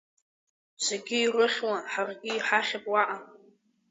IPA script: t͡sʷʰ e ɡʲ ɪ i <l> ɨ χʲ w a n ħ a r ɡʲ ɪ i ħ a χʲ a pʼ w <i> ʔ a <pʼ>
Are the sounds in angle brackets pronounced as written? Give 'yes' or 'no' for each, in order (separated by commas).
no, no, no